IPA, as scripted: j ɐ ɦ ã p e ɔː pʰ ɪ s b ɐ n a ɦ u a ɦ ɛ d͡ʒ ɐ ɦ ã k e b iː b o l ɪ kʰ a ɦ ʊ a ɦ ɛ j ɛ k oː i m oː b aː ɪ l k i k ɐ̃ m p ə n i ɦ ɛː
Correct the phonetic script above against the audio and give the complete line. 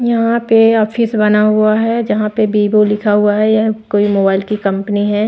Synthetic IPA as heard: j ɐ ɦ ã p e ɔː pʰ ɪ s b ɐ n a ɦ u a ɦ ɛ d͡ʒ ɐ ɦ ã p e b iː b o l ɪ kʰ a ɦ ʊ a ɦ ɛ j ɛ k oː i m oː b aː ɪ l k i k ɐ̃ m p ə n i ɦ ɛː